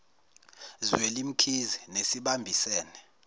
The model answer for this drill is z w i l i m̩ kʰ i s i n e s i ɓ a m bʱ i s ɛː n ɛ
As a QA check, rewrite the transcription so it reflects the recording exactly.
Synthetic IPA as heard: z w e l i m̩ kʰ i z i n e s i ɓ a m bʱ i s ɛː n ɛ